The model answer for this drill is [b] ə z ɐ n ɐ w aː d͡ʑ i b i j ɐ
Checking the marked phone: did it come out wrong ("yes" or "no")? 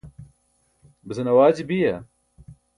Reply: no